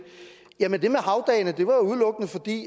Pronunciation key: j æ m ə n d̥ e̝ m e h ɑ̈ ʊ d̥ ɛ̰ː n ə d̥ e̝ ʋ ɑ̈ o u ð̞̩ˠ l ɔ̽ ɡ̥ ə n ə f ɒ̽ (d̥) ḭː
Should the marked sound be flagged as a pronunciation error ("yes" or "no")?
no